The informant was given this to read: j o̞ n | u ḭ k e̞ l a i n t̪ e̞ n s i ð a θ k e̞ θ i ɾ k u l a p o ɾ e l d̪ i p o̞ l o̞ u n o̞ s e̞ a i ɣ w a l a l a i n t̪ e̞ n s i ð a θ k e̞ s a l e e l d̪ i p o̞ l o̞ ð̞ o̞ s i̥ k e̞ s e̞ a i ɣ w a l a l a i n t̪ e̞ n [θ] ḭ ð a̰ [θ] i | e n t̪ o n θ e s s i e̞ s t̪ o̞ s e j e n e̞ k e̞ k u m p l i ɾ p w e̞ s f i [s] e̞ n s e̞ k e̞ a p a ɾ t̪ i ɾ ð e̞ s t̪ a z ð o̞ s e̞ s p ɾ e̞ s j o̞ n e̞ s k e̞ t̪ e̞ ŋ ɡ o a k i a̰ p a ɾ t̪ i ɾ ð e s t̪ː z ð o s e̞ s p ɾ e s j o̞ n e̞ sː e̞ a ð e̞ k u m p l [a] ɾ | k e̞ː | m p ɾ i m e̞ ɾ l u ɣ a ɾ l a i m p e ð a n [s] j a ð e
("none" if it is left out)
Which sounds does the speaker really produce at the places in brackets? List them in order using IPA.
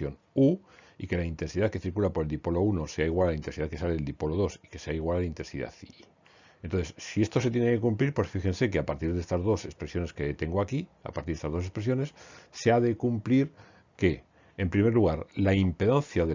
s, θ, x, i, θ

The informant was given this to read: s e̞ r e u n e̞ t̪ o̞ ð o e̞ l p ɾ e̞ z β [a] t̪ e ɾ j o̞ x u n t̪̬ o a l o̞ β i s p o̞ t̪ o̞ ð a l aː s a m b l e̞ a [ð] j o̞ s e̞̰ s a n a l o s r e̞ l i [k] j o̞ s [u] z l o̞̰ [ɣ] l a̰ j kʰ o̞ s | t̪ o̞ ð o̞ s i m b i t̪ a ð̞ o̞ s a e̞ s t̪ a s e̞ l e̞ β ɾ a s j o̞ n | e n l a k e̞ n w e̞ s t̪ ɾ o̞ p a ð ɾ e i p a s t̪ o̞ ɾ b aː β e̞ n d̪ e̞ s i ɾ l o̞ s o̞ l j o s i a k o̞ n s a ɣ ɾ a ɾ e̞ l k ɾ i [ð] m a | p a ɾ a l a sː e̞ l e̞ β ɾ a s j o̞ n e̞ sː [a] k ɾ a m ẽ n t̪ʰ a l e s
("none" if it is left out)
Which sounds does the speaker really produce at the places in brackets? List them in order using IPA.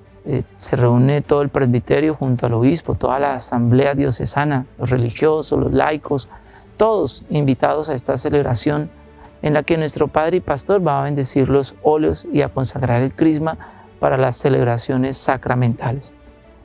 i, ð, x, o, z, z, a

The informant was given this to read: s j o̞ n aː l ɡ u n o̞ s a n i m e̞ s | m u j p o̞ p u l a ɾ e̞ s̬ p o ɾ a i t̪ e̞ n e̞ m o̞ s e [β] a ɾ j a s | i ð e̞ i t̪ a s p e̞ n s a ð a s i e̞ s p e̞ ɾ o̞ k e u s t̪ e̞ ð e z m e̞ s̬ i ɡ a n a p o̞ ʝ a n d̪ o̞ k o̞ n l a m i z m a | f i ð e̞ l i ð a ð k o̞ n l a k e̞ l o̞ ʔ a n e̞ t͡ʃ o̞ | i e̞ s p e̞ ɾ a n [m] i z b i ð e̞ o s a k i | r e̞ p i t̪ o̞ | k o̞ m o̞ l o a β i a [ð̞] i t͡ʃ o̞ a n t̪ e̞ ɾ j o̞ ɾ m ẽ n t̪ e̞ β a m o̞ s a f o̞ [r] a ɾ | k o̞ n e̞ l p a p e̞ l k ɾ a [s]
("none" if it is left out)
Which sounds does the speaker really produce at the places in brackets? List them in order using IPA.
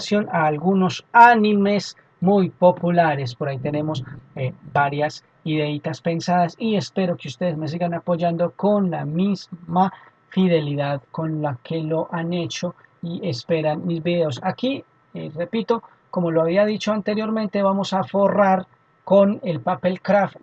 b, m, ð̞, r, f

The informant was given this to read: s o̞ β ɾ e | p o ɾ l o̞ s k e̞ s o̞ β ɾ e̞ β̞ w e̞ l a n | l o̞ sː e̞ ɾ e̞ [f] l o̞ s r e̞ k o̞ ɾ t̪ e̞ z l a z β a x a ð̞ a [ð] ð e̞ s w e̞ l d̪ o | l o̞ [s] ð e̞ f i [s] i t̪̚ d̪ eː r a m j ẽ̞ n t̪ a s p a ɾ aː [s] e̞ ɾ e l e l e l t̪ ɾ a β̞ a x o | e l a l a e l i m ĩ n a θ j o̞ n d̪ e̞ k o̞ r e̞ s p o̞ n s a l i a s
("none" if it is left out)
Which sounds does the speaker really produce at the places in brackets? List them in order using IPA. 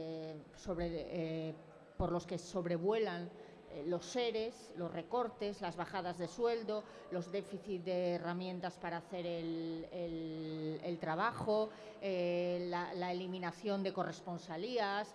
s, z, z, θ, θ

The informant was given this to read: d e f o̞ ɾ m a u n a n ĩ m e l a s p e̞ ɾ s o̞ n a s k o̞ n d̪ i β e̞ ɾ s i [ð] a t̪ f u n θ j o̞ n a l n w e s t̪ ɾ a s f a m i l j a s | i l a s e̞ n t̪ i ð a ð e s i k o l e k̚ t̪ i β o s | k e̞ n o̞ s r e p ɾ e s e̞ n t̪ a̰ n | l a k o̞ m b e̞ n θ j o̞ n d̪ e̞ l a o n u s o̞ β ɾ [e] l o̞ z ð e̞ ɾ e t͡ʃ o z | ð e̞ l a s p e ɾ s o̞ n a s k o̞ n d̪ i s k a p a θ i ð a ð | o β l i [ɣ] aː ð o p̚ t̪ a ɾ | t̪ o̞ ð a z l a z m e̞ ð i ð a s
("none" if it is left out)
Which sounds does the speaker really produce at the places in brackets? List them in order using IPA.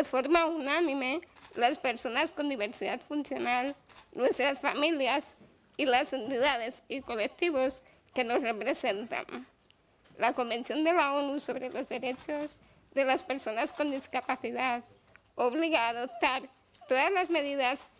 ð, e, ɣ

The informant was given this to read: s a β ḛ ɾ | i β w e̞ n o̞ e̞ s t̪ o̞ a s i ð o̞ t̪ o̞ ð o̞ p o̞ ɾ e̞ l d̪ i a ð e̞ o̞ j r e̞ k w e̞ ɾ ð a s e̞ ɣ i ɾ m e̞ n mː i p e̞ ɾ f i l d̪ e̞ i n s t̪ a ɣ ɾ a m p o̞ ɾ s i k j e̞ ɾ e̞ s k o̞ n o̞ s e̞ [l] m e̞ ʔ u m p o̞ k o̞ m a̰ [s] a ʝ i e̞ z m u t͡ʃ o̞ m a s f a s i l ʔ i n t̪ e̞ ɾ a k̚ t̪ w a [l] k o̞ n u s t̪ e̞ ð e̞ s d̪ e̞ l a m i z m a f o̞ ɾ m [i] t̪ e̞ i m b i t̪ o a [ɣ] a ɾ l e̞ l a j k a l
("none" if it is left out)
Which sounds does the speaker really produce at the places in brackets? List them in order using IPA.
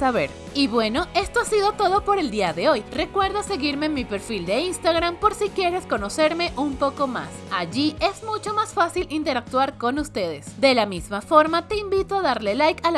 ɾ, s, ɾ, a, ð

